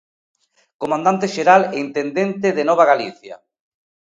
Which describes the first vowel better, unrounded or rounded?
rounded